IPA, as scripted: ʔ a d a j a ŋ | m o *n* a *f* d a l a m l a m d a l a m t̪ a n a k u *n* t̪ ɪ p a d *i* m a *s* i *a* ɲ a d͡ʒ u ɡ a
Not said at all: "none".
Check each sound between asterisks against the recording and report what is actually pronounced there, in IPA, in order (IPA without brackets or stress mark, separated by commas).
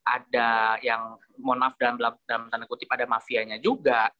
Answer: n, f, none, a, f, a